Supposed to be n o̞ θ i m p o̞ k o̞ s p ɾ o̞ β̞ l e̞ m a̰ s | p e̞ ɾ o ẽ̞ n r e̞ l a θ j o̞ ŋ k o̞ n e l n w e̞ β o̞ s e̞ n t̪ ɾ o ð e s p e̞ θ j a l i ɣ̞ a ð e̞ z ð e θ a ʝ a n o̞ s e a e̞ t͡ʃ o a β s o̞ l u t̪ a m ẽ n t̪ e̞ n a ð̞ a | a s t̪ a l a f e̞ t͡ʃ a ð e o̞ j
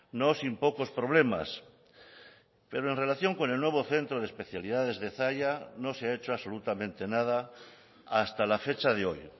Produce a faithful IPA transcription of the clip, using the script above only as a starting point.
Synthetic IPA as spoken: n o̞ s i m p o̞ k o̞ s p ɾ o̞ β̞ l e̞ m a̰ s | p e̞ ɾ o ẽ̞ n r e̞ l a θ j o̞ ŋ k o̞ n e l n w e̞ β o̞ θ e̞ n t̪ ɾ o ð e s p e̞ θ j a l i ð̞ a ð e̞ z ð e θ a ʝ a n o̞ s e a e̞ t͡ʃ o a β s o̞ l u t̪ a m ẽ n t̪ e̞ n a ð̞ a | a s t̪ a l a f e̞ t͡ʃ a ð e o̞ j